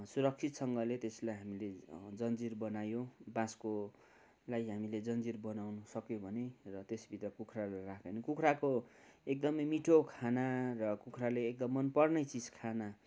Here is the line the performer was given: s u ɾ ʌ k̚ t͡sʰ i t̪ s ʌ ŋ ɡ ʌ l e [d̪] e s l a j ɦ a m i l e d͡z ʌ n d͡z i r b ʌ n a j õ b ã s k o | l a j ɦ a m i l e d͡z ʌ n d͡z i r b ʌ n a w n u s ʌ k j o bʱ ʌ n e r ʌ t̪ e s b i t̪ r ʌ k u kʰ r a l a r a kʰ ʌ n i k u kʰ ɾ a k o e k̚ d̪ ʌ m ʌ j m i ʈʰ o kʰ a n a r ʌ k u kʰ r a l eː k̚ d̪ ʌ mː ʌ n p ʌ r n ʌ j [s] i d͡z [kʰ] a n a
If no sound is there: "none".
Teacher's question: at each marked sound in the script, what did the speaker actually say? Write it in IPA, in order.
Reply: t̪, t͡s, kʰ

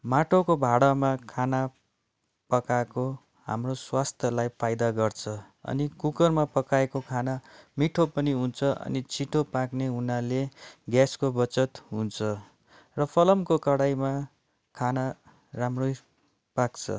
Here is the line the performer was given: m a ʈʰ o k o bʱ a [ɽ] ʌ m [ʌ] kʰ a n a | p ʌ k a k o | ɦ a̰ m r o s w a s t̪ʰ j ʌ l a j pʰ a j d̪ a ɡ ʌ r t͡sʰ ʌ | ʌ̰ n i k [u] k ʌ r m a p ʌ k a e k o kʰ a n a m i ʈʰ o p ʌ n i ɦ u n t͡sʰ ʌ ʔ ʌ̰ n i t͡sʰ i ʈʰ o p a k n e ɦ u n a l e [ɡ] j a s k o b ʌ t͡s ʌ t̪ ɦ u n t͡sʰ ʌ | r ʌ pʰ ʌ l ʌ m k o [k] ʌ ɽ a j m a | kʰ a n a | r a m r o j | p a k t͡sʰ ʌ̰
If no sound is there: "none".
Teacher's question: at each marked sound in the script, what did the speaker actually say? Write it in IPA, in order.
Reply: ɽ, a, u, ɡ, k

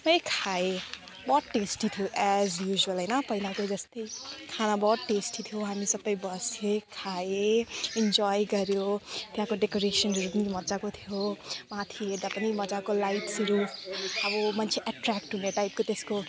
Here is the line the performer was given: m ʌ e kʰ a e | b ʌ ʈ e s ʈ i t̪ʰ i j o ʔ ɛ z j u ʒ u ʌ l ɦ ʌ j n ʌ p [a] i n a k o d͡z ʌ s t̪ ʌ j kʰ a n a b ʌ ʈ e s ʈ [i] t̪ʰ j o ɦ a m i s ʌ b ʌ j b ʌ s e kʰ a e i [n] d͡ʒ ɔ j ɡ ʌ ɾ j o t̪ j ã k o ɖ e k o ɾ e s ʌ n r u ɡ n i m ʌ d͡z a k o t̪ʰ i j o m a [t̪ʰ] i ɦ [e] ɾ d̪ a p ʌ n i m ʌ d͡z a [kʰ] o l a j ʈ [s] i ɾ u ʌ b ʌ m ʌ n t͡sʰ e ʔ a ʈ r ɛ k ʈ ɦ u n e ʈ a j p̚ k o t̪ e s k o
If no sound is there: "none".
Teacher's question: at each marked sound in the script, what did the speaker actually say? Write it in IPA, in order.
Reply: ʌ, i, n, t̪ʰ, e, k, s

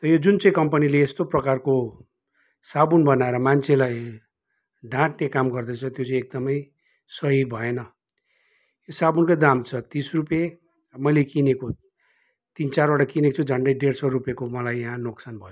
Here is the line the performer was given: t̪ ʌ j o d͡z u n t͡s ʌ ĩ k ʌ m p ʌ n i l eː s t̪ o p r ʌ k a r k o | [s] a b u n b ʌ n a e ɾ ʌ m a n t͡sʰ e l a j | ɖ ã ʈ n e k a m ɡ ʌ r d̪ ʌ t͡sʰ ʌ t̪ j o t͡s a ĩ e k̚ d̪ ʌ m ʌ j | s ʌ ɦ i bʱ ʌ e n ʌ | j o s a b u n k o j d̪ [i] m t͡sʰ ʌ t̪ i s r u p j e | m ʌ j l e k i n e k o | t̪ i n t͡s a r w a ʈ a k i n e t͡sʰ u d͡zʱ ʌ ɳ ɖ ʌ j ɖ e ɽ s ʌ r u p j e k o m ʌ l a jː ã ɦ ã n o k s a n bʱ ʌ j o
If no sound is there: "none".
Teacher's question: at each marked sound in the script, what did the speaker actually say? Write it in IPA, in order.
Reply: s, a

